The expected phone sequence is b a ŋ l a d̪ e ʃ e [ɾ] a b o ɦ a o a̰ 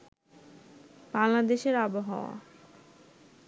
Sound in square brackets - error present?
no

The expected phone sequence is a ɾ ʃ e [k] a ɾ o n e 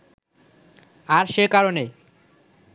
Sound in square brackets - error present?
no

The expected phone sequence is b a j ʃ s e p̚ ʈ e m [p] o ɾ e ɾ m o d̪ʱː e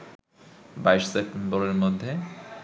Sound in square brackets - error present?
yes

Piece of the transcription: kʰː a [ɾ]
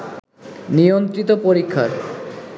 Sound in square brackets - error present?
no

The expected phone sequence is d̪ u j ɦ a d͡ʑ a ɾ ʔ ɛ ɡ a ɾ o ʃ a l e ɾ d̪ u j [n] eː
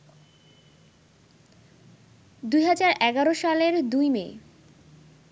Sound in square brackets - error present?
yes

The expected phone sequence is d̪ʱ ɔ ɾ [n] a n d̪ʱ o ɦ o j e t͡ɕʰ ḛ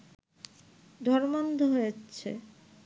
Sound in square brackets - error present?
yes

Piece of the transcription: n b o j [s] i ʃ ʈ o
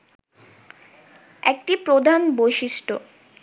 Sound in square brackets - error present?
yes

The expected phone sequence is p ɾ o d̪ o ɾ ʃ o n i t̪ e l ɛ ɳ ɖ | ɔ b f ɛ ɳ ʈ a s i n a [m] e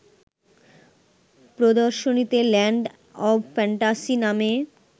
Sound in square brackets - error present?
no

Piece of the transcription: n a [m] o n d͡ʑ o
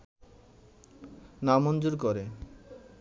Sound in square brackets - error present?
no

